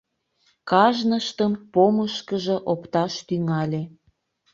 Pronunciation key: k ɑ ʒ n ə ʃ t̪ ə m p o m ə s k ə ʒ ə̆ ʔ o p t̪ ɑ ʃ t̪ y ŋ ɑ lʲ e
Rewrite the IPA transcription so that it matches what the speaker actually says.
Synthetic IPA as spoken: k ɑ ʒ n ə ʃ t̪ ə m p o m ə ʃ k ə ʒ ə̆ ʔ o p t̪ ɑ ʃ t̪ y ŋ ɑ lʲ e